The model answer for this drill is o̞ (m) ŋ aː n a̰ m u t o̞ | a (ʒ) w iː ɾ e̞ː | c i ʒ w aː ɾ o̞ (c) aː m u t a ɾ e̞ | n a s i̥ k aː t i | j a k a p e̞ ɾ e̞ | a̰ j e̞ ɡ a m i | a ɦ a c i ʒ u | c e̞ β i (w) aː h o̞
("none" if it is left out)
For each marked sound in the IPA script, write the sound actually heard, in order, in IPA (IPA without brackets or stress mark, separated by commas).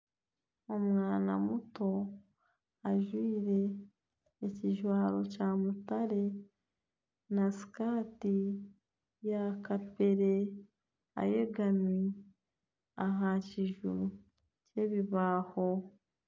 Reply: m, ʒ, c, β